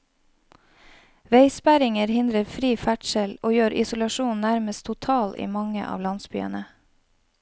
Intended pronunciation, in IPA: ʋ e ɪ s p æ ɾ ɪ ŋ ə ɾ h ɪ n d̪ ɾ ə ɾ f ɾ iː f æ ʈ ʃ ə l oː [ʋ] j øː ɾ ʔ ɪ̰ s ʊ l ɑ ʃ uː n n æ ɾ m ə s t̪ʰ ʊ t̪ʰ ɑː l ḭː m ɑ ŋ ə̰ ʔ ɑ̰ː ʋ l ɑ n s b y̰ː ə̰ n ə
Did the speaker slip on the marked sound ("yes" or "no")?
yes